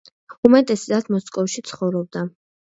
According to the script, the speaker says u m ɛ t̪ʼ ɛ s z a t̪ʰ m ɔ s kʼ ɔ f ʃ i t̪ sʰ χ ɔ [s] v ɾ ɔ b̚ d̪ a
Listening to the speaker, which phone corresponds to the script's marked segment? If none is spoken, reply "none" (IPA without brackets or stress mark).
none